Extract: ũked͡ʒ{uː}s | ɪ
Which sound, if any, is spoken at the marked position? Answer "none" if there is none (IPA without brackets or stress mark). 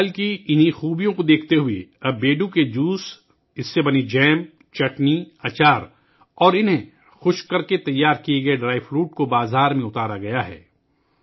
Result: uː